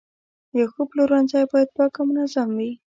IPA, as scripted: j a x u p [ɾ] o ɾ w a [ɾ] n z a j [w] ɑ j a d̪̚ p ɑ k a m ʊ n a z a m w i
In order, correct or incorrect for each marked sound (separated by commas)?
incorrect, incorrect, incorrect